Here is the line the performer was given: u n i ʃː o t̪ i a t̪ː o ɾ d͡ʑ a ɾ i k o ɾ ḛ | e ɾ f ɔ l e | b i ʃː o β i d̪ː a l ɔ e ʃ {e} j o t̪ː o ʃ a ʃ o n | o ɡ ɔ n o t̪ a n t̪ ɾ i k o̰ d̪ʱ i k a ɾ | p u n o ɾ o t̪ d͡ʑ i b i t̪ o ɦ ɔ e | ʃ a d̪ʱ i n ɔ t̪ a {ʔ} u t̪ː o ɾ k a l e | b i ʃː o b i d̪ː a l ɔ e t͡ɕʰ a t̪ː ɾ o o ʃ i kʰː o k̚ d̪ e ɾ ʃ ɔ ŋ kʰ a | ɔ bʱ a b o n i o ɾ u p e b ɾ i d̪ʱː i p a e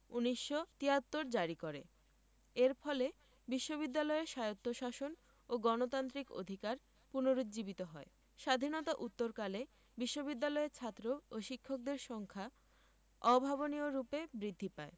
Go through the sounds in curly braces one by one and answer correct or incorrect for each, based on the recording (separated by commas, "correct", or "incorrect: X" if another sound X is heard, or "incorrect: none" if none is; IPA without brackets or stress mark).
incorrect: a, correct